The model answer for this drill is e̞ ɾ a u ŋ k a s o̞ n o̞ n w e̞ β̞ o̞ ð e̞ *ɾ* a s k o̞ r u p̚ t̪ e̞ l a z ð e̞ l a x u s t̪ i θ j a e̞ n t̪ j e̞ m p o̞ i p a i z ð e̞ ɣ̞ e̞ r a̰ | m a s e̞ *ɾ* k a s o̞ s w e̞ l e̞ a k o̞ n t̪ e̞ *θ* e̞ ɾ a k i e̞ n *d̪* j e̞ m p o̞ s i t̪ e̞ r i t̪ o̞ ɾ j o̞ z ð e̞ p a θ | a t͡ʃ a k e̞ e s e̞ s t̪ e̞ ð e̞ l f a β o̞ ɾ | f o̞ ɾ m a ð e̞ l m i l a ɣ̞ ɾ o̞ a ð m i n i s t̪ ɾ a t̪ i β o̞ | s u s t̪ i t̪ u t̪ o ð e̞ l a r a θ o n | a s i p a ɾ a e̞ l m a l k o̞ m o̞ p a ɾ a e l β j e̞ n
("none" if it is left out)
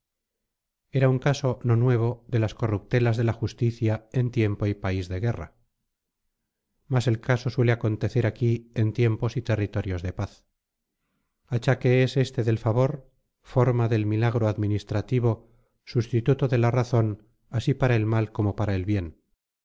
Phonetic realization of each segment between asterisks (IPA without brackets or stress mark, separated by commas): l, l, θ, t̪